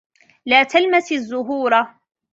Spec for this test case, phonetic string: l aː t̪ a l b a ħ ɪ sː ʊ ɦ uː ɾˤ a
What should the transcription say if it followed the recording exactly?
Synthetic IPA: l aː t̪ a l m a s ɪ zː ʊ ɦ uː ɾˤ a